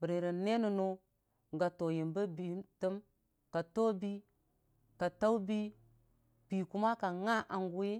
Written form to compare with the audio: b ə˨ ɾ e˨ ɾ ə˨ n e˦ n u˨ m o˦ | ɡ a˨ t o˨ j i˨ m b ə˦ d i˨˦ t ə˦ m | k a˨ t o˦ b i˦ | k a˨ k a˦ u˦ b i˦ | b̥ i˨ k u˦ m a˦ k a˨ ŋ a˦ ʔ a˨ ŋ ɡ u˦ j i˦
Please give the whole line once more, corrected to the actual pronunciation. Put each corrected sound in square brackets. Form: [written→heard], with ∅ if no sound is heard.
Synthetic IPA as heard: b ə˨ ɾ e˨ ɾ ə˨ n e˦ n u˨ [m→n] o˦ | ɡ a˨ t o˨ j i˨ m b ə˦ [d→b] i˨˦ t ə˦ m | k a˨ t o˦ b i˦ | k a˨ [k→t] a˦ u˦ b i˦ | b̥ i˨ k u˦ m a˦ k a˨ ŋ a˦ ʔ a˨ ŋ ɡ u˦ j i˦